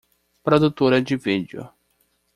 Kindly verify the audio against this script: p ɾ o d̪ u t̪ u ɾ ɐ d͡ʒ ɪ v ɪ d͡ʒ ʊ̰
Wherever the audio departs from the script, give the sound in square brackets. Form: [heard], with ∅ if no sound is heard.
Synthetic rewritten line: p ɾ o d̪ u t̪ [o] ɾ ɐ d͡ʒ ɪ v [i] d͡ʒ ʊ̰